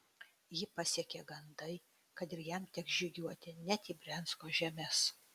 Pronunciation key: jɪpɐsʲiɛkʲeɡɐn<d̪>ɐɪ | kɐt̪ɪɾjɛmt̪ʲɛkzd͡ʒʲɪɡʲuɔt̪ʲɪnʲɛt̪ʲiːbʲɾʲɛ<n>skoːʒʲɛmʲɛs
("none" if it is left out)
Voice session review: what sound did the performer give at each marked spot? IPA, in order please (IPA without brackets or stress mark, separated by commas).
d̪, n